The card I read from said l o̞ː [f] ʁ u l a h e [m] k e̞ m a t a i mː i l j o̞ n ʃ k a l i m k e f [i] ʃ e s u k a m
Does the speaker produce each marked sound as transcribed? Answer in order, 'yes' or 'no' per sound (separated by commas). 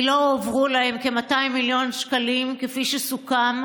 no, yes, yes